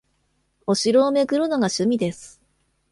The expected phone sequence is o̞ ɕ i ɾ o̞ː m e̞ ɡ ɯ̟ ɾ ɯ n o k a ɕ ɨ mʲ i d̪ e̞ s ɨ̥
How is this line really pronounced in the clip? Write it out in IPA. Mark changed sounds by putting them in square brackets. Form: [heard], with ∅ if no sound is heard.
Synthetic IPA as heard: o̞ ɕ i ɾ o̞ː m e̞ ɡ ɯ̟ ɾ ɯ n o [ɡ] a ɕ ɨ mʲ i d̪ e̞ s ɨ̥